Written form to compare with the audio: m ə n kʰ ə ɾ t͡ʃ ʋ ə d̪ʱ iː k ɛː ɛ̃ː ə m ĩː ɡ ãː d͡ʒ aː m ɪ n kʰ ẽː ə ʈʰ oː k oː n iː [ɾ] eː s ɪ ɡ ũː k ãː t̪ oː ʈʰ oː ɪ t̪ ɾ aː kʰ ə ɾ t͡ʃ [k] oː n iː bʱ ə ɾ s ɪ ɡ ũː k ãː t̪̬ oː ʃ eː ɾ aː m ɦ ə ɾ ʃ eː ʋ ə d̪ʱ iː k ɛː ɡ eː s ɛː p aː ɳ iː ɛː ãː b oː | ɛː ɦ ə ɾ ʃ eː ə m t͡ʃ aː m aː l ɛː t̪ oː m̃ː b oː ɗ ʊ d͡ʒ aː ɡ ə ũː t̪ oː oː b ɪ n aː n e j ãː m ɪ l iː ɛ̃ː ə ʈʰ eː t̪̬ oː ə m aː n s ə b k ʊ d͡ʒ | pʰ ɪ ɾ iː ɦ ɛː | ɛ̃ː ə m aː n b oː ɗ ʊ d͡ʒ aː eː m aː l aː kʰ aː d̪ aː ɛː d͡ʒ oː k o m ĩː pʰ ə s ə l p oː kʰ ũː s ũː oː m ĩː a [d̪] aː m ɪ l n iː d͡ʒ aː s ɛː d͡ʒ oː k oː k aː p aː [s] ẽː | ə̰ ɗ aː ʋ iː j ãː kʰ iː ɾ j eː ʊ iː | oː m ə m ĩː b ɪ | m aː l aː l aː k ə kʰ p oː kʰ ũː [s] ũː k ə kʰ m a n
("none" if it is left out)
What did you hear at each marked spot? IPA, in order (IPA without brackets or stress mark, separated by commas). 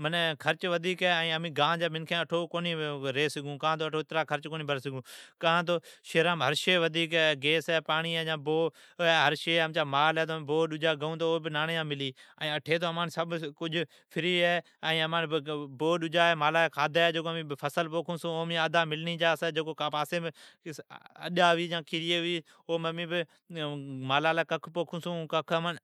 ɾ, k, d̪, s, s